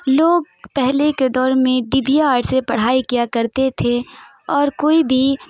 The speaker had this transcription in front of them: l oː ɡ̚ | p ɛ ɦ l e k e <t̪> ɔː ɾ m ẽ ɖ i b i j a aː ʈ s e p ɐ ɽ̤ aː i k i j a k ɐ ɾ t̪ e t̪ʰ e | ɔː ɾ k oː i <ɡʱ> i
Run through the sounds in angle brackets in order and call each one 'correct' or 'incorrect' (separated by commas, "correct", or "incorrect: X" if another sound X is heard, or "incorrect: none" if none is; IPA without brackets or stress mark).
incorrect: d̪, incorrect: bʱ